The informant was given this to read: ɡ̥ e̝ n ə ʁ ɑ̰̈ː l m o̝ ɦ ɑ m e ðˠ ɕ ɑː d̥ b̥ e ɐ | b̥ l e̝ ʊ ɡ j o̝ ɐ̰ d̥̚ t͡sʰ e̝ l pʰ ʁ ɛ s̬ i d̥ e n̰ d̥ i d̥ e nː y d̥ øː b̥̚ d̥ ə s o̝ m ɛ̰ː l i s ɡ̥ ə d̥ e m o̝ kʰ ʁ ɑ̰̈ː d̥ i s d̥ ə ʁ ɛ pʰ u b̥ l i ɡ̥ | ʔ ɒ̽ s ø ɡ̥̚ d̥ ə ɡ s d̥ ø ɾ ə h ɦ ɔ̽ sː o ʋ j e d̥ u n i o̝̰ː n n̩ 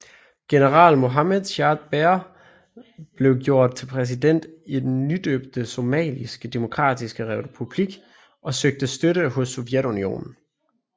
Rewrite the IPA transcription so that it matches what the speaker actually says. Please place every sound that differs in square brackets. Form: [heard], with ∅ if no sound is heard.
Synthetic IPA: ɡ̥ e̝ n ə ʁ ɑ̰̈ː l m o̝ ɦ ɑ m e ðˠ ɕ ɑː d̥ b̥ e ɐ | b̥ l e̝ ʊ ɡ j o̝ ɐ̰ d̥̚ t͡sʰ e̝ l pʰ ʁ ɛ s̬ i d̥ e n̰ d̥ i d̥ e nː y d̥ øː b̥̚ d̥ ə s o̝ m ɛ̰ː l i s ɡ̥ ə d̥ e m o̝ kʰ ʁ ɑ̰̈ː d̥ i s [ɡ̥] ə ʁ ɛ pʰ u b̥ l i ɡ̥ | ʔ ɒ̽ s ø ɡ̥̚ d̥ ə [∅] s d̥ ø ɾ ə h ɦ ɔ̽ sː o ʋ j e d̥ u n i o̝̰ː n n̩